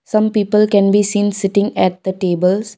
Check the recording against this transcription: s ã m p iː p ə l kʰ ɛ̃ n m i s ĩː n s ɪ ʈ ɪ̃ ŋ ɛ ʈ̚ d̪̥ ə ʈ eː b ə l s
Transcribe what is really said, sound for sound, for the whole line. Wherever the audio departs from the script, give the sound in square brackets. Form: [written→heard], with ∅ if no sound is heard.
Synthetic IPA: s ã m p iː p ə l [kʰ→k] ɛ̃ n [m→b] i s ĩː n s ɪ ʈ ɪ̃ ŋ ɛ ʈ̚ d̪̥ ə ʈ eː b ə l s